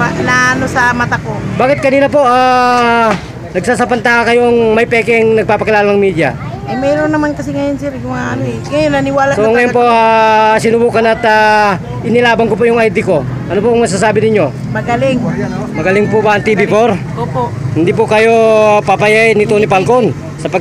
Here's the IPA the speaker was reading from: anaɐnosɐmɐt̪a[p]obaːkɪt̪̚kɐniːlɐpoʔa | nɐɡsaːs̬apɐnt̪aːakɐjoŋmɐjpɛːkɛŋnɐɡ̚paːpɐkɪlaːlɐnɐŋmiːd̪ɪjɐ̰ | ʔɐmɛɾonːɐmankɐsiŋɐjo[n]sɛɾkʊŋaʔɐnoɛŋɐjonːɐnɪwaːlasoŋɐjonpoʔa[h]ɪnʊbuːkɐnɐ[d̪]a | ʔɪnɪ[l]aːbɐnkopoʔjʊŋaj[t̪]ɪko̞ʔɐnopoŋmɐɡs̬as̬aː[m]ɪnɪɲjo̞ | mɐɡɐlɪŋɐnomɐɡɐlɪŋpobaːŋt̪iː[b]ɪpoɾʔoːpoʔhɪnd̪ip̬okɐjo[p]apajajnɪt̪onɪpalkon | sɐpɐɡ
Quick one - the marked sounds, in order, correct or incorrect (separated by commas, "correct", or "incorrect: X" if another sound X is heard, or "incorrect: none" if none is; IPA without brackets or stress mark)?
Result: incorrect: k, correct, incorrect: s, incorrect: t̪, correct, incorrect: d̪, incorrect: b, correct, correct